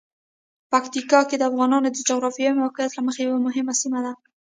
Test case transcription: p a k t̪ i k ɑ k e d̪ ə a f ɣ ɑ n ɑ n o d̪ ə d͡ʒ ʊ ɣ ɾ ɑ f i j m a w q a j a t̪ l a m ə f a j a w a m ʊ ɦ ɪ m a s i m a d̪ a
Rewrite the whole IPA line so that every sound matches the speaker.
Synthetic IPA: p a k t̪ i k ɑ k e d̪ ə a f ɣ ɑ n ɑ n o d̪ ə d͡ʒ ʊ ɣ ɾ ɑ f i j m a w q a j a t̪ l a m ə x a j a w a m ʊ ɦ ɪ m a s i m a d̪ a